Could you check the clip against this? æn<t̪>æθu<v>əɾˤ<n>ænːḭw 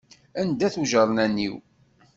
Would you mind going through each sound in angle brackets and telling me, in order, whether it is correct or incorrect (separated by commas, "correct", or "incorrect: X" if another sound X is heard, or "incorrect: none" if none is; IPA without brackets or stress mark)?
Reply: incorrect: d̪, incorrect: ʒ, correct